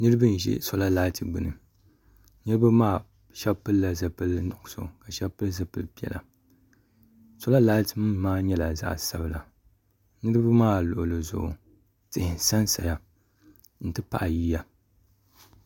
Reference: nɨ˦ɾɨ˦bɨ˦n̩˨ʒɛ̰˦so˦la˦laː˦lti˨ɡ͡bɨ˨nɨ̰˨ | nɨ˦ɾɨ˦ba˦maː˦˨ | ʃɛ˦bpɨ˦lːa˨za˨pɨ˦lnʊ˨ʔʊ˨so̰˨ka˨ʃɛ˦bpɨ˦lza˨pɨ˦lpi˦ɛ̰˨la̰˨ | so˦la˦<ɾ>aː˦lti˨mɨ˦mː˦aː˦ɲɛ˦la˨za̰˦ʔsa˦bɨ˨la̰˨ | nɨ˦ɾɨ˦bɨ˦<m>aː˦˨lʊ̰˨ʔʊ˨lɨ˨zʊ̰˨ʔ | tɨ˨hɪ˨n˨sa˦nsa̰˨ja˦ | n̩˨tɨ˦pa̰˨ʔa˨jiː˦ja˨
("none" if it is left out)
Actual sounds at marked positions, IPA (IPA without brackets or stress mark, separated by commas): l, m